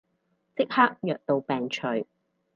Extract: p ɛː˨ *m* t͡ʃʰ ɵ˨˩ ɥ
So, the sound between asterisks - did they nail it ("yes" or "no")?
no